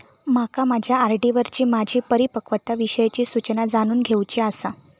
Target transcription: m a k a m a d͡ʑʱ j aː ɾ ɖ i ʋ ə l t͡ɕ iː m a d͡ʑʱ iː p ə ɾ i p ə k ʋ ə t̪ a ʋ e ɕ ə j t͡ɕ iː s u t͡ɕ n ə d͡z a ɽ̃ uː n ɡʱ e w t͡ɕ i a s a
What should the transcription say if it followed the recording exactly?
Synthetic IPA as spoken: m a k a m a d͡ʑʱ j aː ɾ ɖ i ʋ ə ɾ t͡ɕ iː m a d͡ʑʱ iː p ə ɾ i p ə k ʋ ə t̪ a ʋ i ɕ ə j t͡ɕ iː s u t͡ɕ n a d͡z a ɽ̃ uː n ɡʱ e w t͡ɕ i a s a